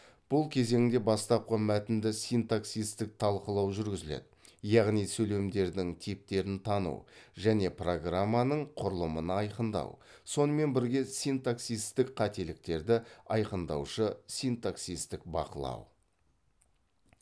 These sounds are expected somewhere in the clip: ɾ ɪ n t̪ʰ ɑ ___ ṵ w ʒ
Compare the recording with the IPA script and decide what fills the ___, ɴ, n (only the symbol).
n